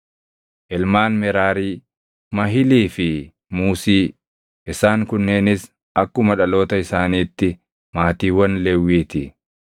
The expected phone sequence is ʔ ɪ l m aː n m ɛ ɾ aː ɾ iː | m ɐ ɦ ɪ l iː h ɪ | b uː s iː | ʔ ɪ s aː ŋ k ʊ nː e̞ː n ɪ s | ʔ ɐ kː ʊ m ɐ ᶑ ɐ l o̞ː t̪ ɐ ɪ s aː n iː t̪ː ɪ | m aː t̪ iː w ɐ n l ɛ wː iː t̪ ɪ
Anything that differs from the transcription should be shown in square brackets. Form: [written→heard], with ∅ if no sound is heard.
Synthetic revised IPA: ʔ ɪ l m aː n m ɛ ɾ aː ɾ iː | m ɐ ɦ ɪ l iː [h→f] ɪ | [b→m] uː s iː | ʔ ɪ s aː ŋ k ʊ nː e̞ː n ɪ s | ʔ ɐ kː ʊ m ɐ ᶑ ɐ l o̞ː t̪ ɐ ɪ s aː n iː t̪ː ɪ | m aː t̪ iː w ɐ n l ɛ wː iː t̪ ɪ